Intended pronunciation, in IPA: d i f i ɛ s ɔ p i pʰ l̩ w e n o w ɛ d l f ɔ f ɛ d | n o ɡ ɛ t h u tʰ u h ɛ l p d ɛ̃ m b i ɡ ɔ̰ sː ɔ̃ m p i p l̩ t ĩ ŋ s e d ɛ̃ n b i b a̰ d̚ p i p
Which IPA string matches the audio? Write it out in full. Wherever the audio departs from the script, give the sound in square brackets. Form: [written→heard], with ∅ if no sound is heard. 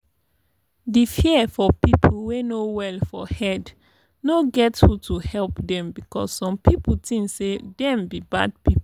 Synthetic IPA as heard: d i f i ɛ [s→f] ɔ p i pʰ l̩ w e n o w ɛ [d→∅] l f ɔ [f→h] ɛ d | n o ɡ ɛ t h u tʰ u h ɛ l p d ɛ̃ m b i [ɡ→k] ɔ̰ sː ɔ̃ m p i p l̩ t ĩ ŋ s e d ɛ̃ [n→m] b i b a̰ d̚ p i p